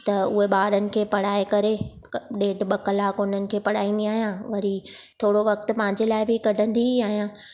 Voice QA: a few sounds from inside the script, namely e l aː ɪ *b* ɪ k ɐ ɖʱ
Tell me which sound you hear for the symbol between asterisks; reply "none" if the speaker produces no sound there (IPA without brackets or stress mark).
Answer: b